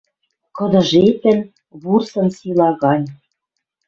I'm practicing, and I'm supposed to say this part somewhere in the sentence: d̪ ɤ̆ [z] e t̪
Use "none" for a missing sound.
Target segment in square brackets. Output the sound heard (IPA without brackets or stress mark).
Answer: ʒ